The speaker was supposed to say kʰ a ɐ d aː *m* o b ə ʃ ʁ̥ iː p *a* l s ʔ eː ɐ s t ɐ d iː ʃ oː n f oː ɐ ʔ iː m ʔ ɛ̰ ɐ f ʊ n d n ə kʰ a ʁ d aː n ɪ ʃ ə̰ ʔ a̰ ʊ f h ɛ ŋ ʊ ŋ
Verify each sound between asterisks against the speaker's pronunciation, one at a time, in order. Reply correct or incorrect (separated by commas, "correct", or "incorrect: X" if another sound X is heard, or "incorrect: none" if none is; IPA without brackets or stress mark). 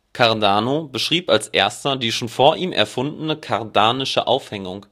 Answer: incorrect: n, correct